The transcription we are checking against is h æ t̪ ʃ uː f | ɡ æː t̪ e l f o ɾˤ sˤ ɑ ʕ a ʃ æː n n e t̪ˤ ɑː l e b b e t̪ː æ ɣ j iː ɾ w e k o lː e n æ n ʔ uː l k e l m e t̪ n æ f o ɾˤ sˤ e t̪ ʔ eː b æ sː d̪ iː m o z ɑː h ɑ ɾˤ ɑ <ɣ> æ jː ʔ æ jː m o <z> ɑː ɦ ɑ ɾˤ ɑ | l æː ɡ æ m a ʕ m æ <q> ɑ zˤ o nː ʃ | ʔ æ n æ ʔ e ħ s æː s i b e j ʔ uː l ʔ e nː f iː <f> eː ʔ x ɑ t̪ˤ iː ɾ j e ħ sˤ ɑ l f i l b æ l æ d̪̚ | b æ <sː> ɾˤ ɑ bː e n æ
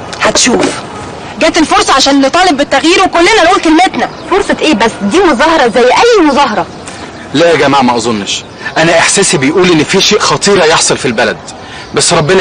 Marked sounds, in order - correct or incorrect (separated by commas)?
incorrect, correct, incorrect, incorrect, correct